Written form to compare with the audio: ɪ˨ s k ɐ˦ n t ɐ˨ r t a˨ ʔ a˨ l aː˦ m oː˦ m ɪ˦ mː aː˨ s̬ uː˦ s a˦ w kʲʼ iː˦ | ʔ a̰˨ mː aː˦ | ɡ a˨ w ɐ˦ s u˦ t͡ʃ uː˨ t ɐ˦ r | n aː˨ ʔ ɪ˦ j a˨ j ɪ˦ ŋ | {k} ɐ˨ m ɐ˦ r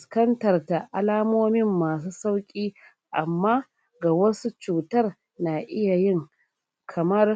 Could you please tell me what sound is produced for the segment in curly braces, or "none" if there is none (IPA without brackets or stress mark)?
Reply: kʰ